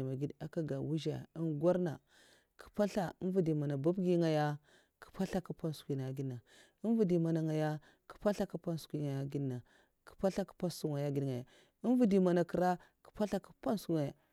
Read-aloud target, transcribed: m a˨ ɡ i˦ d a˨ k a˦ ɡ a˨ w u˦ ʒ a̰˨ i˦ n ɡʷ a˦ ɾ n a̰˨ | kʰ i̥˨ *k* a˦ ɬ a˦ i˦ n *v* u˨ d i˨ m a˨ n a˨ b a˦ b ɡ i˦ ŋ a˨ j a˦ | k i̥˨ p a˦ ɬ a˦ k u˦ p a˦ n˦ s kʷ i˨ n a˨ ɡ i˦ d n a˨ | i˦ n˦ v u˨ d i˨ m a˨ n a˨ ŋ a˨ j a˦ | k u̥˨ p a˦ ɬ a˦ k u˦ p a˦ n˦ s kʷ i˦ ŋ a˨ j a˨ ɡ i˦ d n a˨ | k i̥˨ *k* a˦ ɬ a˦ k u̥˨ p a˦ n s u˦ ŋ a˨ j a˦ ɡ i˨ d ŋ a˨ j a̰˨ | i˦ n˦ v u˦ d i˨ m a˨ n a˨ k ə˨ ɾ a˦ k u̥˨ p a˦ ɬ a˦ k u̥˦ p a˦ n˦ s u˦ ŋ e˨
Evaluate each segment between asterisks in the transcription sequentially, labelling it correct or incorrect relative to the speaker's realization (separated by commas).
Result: incorrect, correct, incorrect